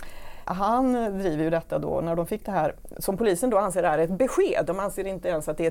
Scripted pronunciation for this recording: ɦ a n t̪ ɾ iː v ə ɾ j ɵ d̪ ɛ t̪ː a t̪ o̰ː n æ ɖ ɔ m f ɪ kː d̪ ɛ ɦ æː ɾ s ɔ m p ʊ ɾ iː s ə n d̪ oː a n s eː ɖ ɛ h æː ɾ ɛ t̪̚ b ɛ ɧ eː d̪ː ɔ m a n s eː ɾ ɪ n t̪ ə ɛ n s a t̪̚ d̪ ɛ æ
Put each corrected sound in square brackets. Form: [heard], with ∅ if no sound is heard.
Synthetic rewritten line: ɦ a n [d̪] ɾ iː v ə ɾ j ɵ d̪ ɛ t̪ː a [d̪] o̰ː n æ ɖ ɔ m f ɪ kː d̪ ɛ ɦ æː ɾ s ɔ m p ʊ [l] iː s ə n d̪ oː a n s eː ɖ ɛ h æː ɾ ɛ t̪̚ b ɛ ɧ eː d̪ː ɔ m a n s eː ɾ ɪ n t̪ ə ɛ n s a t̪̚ d̪ ɛ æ